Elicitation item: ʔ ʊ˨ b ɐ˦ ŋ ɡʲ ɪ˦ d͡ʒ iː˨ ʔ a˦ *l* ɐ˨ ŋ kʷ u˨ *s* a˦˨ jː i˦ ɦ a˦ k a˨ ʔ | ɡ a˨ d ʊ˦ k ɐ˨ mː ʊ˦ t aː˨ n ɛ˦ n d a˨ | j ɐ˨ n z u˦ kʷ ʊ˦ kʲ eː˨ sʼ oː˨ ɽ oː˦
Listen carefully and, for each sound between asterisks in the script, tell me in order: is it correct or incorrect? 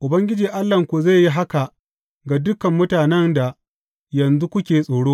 incorrect: lː, incorrect: z

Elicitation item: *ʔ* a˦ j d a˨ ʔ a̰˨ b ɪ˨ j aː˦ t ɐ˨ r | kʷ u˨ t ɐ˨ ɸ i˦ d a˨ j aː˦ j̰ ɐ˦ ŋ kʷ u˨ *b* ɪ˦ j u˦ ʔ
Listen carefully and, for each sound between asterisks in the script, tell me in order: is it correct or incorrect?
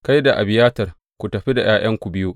incorrect: k, correct

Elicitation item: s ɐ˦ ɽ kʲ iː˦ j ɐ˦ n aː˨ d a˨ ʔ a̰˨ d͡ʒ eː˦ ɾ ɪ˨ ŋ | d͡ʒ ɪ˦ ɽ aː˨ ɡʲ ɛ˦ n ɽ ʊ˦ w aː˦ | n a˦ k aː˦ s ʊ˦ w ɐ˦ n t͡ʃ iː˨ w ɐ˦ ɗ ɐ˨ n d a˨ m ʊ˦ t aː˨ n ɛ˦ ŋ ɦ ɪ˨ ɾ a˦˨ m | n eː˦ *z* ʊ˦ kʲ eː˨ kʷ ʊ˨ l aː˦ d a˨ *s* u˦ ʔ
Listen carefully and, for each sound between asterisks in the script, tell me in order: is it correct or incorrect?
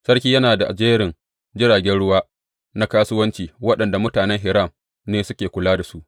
incorrect: s, correct

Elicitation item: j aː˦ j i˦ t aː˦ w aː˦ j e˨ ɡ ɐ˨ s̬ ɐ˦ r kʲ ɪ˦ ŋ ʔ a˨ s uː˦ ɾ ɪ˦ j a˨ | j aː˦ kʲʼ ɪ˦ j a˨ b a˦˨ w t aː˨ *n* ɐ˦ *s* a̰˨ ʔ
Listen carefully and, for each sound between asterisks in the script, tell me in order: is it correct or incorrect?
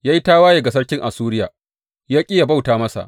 incorrect: m, correct

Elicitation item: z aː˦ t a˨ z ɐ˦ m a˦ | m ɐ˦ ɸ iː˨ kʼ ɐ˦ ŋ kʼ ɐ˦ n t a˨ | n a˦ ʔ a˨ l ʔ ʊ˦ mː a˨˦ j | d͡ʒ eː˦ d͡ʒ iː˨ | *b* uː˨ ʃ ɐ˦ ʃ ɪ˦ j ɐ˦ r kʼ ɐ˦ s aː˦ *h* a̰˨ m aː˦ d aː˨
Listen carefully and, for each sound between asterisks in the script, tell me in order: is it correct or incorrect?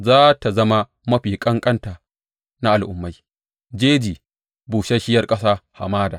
correct, correct

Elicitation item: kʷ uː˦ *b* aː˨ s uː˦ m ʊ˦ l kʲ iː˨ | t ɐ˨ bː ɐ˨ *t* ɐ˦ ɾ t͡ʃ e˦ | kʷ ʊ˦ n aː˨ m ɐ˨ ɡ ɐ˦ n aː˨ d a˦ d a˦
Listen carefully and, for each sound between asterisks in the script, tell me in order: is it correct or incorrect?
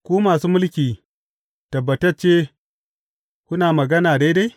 incorrect: m, correct

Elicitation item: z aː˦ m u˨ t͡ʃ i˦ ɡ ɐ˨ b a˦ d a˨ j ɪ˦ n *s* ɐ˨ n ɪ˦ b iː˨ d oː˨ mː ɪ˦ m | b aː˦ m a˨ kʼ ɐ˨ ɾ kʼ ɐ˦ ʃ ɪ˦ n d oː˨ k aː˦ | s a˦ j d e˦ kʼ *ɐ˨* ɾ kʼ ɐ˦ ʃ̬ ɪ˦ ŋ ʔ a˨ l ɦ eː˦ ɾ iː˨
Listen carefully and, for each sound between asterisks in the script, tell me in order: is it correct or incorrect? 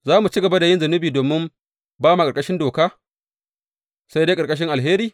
incorrect: z, correct

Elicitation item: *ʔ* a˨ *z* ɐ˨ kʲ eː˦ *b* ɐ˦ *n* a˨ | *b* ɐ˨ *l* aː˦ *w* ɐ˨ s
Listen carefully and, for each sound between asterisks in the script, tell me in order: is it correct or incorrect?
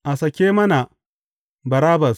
correct, incorrect: s, incorrect: m, correct, correct, incorrect: ɾ, incorrect: b

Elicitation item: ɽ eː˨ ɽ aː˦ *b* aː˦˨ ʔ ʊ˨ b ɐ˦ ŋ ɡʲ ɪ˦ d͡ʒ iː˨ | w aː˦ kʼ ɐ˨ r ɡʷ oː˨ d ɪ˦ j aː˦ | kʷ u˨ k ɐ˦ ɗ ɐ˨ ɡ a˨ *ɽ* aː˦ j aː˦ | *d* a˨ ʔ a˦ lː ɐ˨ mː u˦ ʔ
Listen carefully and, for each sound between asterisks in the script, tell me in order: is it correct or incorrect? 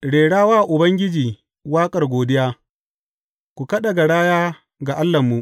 incorrect: w, correct, incorrect: ɡ

